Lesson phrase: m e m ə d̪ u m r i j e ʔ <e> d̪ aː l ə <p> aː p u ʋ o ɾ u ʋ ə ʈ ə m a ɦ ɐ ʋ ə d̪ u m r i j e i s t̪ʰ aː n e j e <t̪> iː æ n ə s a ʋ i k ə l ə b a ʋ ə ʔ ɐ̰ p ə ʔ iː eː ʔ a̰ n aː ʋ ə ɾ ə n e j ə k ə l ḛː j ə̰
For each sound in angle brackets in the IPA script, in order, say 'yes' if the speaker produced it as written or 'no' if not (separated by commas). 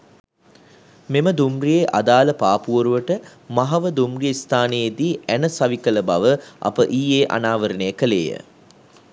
no, yes, no